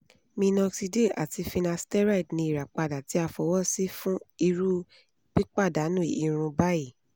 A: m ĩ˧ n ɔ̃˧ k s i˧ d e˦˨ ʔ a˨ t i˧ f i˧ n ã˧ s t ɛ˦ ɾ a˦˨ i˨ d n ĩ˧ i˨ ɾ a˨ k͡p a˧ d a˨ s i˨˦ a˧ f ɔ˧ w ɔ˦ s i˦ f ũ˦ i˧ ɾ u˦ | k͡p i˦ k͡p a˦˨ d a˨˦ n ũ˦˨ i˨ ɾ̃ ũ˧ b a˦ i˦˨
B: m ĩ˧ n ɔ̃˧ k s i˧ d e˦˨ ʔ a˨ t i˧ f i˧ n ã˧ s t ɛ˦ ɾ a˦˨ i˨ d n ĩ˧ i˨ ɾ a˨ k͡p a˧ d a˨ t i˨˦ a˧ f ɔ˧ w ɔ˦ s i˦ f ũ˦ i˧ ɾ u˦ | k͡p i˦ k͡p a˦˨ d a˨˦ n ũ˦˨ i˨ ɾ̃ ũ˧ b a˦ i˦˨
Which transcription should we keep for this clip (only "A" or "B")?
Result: B